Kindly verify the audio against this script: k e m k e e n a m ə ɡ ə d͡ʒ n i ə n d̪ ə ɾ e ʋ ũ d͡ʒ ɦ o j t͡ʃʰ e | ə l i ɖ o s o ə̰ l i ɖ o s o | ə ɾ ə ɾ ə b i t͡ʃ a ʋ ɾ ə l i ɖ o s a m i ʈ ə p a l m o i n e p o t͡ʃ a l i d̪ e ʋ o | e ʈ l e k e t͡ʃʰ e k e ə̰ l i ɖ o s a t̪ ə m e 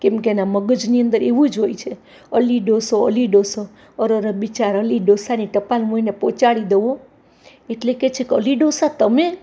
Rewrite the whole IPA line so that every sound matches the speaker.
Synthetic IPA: k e m k e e n a m ə ɡ ə d͡ʒ n i ə n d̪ ə ɾ e ʋ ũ d͡ʒ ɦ o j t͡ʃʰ e | ə l i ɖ o s o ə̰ l i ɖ o s o | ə ɾ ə ɾ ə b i t͡ʃ a ɾ ə l i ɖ o s a n i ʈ ə p a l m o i n e p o t͡ʃ a ɽ i d̪ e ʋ o | e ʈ l e k e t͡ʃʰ e k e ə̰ l i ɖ o s a t̪ ə m e

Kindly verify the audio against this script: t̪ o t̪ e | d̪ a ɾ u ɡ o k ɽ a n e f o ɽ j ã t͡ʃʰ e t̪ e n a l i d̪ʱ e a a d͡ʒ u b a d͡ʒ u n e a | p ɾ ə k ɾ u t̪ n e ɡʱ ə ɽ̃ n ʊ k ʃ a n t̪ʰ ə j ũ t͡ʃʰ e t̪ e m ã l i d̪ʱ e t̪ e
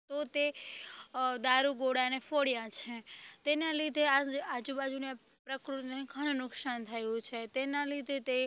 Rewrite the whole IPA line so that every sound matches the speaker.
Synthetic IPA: t̪ o t̪ e | d̪ a ɾ u ɡ o ɽ a n e f o ɽ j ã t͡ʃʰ e t̪ e n a l i d̪ʱ e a a d͡ʒ u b a d͡ʒ u n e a | p ɾ ə k ɾ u t̪ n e ɡʱ ə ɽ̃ n ʊ k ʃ a n t̪ʰ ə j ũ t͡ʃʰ e t̪ e n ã l i d̪ʱ e t̪ e

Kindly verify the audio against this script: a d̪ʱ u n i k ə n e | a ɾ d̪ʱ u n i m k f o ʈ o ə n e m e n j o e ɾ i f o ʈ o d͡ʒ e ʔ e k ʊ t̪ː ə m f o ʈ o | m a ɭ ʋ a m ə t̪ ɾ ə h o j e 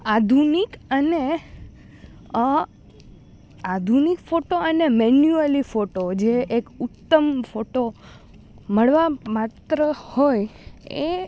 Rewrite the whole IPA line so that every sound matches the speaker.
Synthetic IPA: a d̪ʱ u n i k ə n e | a d̪ʱ u n i k f o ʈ o ə n e m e n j u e l i f o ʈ o d͡ʒ e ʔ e k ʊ t̪ː ə m f o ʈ o | m ə ɭ ʋ a m a t̪ ɾ ə h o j e

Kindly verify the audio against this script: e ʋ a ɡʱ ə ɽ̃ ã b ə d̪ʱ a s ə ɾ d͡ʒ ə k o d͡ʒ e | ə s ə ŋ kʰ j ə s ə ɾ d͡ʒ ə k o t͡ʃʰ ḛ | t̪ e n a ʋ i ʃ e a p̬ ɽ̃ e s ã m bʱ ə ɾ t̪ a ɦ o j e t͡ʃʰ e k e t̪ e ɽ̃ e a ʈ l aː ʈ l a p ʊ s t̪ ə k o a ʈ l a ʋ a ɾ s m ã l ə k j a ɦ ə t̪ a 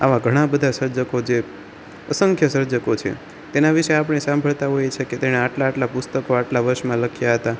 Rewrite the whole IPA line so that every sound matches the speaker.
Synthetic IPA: a ʋ a ɡʱ ə ɽ̃ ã b ə d̪ʱ a s ə ɾ d͡ʒ ə k o d͡ʒ e | ə s ə ŋ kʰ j ə s ə ɾ d͡ʒ ə k o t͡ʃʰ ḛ | t̪ e n a ʋ i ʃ e a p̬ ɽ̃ e s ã m bʱ ə ɭ t̪ a ɦ o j e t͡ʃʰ e k e t̪ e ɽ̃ e a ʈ l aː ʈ l a p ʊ s t̪ ə k o a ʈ l a ʋ ə ɾ ʃ m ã l ə kʰ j a ɦ ə t̪ a

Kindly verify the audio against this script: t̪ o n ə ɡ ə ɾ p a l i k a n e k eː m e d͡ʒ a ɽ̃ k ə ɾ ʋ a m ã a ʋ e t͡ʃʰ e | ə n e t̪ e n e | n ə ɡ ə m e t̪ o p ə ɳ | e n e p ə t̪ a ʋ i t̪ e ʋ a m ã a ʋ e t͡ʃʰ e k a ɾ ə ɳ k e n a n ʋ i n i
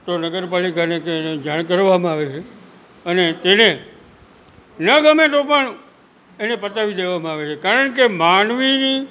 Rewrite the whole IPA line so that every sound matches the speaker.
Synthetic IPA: t̪ o n ə ɡ ə ɾ p a l i k a n e k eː n e d͡ʒ a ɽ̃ k ə ɾ ʋ a m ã a ʋ e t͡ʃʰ e | ə n e t̪ e n e | n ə ɡ ə m e t̪ o p ə ɳ | e n e p ə t̪ a ʋ i d̪ e ʋ a m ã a ʋ e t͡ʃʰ e k a ɾ ə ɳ k e m a n ʋ i n i

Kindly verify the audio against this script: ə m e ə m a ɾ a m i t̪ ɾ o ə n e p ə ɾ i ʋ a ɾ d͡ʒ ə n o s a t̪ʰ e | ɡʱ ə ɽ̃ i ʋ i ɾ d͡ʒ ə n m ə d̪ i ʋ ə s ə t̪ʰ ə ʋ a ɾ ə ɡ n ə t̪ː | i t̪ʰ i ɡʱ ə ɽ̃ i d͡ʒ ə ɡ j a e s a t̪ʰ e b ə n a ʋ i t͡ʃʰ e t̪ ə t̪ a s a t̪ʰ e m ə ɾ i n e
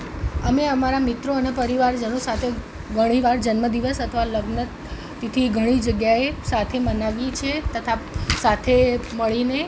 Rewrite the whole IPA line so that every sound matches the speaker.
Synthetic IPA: ə m e ə m a ɾ a m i t̪ ɾ o ə n e p ə ɾ i ʋ a ɾ d͡ʒ ə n o s a t̪ʰ e | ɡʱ ə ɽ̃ i ʋ a ɾ d͡ʒ ə n m ə d̪ i ʋ ə s ə t̪ʰ ə ʋ a l ə ɡ n ə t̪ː | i t̪ʰ i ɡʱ ə ɽ̃ i d͡ʒ ə ɡ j a e s a t̪ʰ e m ə n a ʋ i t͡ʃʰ e t̪ ə t̪ʰ a s a t̪ʰ e m ə ɭ i n e

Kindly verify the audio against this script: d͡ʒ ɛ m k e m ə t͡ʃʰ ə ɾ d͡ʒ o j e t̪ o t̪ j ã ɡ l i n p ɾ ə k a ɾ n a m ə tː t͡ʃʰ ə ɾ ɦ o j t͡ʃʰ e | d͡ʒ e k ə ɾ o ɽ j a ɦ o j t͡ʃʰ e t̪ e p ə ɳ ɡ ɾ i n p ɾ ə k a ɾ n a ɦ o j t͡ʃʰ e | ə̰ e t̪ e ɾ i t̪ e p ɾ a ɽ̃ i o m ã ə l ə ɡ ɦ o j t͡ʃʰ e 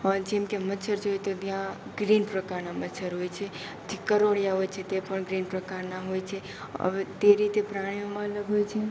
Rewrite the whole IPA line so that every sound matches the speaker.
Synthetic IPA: d͡ʒ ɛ m k e m ə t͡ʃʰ ə ɾ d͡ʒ o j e t̪ o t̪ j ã ɡ ɾ i n p ɾ ə k a ɾ n a m ə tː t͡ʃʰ ə ɾ ɦ o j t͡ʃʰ e | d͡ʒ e k ə ɾ o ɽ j a ɦ o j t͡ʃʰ e t̪ e p ə ɳ ɡ ɾ i n p ɾ ə k a ɾ n a ɦ o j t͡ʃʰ e | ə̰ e t̪ e ɾ i t̪ e p ɾ a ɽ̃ i o m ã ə l ə ɡ ɦ o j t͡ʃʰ e

